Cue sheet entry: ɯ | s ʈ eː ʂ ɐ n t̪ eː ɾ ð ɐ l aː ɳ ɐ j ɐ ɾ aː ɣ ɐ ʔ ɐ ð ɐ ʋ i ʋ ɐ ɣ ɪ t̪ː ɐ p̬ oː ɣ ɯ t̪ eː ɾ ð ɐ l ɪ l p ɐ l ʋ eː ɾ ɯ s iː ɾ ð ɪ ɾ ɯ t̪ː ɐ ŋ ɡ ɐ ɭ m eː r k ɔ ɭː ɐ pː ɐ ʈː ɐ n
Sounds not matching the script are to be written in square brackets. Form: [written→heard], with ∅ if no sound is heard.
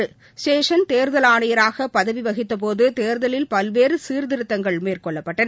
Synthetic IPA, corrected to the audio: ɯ | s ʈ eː ʂ ɐ n t̪ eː ɾ ð ɐ l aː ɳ ɐ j ɐ ɾ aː ɣ ɐ [ʔ→p] ɐ ð ɐ ʋ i ʋ ɐ ɣ ɪ t̪ː ɐ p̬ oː [ɣ→ð] ɯ t̪ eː ɾ ð ɐ l ɪ l p ɐ l ʋ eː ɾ ɯ s iː ɾ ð ɪ ɾ ɯ t̪ː ɐ ŋ ɡ ɐ ɭ m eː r k ɔ ɭː ɐ pː ɐ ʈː ɐ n